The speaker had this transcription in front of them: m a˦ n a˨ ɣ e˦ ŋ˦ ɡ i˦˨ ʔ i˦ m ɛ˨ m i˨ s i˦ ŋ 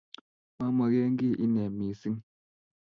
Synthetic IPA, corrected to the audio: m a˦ m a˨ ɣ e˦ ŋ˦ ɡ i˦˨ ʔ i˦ n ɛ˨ m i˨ s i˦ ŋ